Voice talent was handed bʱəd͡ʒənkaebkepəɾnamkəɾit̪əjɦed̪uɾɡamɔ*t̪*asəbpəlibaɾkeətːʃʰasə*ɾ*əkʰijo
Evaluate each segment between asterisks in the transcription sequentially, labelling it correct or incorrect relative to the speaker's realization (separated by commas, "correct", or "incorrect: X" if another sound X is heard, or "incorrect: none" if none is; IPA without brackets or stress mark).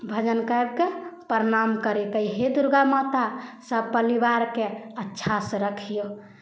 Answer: correct, correct